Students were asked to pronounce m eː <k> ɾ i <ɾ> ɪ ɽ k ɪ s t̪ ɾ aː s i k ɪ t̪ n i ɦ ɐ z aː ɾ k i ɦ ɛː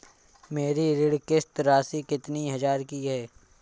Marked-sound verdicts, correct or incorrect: incorrect: none, correct

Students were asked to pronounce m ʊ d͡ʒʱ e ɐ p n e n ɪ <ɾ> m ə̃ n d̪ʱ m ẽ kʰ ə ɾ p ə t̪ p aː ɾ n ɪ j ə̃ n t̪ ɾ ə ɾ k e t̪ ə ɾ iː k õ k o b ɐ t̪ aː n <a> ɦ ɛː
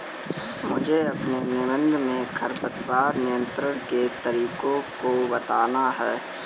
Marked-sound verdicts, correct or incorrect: incorrect: none, correct

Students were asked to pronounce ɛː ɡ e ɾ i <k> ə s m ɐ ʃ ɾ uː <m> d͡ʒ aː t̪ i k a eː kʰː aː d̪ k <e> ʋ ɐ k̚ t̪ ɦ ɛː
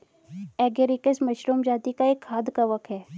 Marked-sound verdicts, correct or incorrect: correct, correct, incorrect: a

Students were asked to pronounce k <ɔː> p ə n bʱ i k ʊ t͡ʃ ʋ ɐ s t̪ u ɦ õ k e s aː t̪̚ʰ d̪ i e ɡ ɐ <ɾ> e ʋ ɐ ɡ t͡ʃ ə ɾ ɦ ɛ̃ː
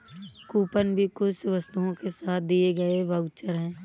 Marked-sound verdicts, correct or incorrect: incorrect: uː, incorrect: none

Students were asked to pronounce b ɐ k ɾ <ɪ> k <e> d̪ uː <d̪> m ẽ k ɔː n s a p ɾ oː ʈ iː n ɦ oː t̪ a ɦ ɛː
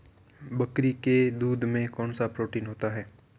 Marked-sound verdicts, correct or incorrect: incorrect: i, correct, correct

